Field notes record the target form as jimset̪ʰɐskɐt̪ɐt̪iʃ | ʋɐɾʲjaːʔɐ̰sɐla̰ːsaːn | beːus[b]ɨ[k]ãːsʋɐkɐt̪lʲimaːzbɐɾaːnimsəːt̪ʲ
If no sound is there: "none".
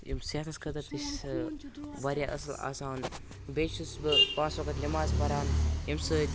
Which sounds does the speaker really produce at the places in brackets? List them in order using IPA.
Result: b, p

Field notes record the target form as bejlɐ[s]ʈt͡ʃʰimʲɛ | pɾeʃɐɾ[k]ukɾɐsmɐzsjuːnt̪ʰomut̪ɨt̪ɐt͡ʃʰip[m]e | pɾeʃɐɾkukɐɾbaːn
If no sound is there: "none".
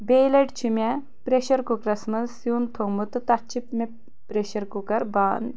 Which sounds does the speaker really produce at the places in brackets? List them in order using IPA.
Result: none, k, m

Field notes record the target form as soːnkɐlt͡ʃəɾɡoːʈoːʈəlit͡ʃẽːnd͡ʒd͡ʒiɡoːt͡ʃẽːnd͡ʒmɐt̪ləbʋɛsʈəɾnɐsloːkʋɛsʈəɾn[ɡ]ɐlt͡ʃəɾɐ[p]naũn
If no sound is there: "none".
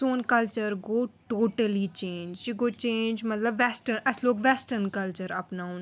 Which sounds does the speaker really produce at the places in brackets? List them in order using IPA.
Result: k, p

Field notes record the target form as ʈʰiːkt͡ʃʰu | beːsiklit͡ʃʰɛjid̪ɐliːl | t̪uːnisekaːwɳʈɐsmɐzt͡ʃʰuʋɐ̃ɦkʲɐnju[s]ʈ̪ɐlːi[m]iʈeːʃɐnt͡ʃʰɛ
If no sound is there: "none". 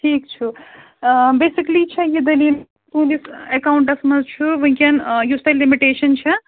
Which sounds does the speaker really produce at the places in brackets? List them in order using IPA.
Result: s, m

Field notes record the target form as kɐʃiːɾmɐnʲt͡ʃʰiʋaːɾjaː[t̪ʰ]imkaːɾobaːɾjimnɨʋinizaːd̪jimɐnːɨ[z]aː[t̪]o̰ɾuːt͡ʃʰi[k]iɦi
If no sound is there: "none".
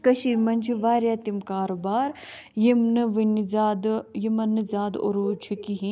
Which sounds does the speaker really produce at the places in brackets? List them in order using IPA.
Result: t̪, z, d̪, k

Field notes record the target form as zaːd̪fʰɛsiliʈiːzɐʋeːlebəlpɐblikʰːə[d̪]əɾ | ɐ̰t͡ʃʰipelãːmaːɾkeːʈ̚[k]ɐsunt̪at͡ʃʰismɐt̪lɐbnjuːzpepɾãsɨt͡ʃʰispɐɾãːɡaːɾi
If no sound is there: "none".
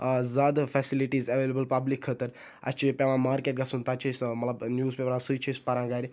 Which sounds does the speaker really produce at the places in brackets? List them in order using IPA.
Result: t̪, ɡ

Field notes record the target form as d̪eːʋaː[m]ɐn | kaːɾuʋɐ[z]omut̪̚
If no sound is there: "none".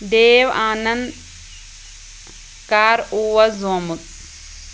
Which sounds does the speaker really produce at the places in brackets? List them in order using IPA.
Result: n, z

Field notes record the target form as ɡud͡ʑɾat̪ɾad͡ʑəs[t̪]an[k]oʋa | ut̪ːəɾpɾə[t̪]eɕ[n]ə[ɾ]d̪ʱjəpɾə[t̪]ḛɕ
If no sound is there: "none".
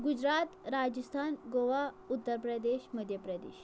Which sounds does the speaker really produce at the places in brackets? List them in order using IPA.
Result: t̪ʰ, ɡ, d̪, m, none, d̪

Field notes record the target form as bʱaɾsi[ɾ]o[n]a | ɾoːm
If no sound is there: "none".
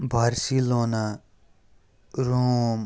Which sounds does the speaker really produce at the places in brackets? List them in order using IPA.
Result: l, n

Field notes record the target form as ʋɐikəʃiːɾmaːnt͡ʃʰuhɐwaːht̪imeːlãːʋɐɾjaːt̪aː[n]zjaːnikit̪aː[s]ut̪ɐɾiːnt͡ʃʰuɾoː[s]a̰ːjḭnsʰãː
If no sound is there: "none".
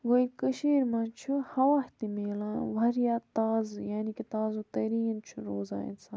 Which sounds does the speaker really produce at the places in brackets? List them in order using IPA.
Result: none, z, z

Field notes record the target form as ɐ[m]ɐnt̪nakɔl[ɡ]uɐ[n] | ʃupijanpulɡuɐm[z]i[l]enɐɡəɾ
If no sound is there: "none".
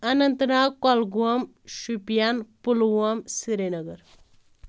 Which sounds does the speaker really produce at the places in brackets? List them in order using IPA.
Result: n, ɡ, m, s, ɾ

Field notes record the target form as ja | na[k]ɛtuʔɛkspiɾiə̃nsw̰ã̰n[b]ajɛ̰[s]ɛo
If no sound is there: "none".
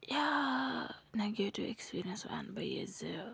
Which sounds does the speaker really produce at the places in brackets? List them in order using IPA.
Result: ɡ, b, z

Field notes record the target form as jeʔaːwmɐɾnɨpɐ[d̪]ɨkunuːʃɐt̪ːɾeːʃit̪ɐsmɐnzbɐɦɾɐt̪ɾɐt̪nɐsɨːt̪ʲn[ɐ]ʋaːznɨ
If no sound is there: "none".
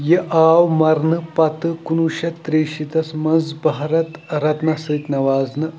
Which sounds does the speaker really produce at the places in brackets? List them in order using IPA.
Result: t̪, ɐ

